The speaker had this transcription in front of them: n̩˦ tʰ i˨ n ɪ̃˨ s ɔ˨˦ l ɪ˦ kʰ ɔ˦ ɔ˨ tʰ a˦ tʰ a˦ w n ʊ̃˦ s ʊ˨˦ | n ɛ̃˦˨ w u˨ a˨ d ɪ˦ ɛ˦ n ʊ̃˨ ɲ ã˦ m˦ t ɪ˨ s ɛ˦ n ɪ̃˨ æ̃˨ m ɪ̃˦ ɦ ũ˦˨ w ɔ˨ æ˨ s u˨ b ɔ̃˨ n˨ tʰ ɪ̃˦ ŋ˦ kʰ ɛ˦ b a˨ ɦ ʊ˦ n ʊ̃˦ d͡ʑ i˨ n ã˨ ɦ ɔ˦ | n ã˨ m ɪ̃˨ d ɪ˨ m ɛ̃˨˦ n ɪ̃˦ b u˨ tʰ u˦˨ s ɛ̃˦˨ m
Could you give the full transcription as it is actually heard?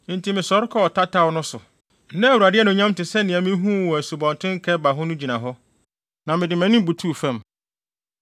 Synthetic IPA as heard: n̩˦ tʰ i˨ m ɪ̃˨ s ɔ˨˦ ɾ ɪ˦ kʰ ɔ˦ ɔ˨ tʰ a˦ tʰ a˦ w n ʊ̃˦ s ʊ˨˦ | n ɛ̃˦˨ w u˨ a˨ d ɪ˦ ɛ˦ n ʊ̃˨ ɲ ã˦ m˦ t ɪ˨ s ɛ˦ n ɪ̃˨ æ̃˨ m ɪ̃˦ ɦ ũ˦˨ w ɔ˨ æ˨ s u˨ b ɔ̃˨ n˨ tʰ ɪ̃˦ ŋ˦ kʰ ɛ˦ b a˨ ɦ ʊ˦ n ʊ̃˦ d͡ʑ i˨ n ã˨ ɦ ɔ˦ | n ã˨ m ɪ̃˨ d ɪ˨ m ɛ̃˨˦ n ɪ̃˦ b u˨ tʰ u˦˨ f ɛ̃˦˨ m